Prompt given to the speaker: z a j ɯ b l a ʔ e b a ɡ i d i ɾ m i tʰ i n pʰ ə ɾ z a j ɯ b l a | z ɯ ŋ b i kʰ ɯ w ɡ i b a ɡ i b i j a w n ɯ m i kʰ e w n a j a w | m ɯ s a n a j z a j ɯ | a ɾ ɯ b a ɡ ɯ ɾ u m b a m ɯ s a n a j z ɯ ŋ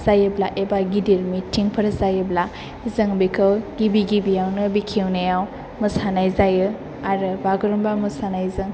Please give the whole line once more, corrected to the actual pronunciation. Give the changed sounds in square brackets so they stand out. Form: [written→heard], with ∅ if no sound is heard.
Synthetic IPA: z a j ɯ b l a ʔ e b a ɡ i d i ɾ m i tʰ i [n→ŋ] pʰ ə ɾ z a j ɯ b l a | z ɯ ŋ b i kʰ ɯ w ɡ i b [a→i] ɡ i b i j a w n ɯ [m→b] i kʰ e w n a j a w | m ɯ s a n a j z a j ɯ | a ɾ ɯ b a ɡ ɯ ɾ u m b a m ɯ s a n a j z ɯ ŋ